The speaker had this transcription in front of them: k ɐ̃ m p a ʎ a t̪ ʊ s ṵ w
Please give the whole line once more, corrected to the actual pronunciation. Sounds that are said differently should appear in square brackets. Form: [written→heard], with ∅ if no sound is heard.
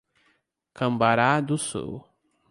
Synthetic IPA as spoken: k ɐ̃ m [p→b] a [ʎ→ɾ] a [t̪→d̪] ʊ s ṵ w